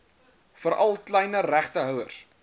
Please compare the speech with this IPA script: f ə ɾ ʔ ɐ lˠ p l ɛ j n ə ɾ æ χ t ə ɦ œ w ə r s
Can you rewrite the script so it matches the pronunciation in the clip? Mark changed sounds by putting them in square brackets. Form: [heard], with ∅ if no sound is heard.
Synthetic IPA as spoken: f ə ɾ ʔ ɐ lˠ [k] l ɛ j n ə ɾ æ χ t ə ɦ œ w ə r s